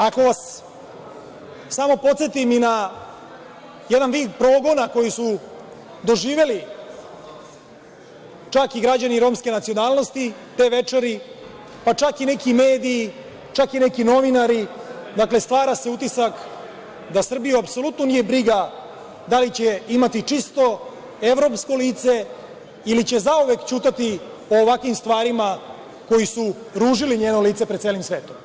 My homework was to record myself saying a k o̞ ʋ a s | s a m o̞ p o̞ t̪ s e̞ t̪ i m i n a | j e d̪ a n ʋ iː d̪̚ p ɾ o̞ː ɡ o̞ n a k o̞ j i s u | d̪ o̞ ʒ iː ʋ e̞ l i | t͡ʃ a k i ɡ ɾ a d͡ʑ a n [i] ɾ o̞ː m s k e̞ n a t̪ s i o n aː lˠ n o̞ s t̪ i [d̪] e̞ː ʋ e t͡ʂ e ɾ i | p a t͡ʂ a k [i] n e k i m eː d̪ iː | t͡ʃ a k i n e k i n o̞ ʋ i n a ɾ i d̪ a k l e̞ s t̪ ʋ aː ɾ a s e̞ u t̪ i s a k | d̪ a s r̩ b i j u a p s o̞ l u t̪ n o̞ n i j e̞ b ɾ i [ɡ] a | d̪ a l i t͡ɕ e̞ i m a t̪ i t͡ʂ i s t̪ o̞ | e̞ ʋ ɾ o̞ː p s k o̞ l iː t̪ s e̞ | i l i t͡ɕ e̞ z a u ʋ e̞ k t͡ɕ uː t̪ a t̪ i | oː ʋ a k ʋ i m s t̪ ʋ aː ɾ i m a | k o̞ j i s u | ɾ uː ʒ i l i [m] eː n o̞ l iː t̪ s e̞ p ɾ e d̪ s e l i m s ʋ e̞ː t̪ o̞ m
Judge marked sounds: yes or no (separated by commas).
yes, no, yes, yes, no